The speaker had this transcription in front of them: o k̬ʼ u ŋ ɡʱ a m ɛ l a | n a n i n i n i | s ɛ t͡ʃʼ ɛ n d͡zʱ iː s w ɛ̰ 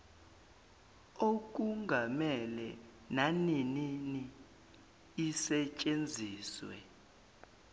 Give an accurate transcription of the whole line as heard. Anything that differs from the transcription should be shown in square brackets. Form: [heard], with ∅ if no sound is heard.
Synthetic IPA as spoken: o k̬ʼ u ŋ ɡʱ a m ɛ l [ɛ] | n a n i n i n i | s ɛ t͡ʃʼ [e] n d͡zʱ iː s w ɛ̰